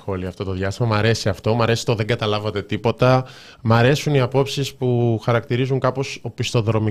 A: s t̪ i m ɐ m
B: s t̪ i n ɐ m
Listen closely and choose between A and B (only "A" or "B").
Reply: A